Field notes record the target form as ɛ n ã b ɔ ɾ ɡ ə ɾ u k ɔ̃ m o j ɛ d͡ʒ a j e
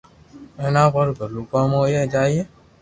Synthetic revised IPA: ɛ n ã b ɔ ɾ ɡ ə l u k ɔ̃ m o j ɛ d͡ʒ a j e